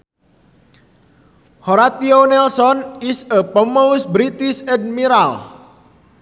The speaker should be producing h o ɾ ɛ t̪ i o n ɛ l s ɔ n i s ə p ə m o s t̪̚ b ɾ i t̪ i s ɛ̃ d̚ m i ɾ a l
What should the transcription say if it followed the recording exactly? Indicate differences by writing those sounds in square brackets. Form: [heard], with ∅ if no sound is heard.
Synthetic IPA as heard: h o ɾ [a] t̪ i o n ɛ l s ɔ n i s ə p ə m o s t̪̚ b ɾ i t̪ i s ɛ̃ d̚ m i ɾ a l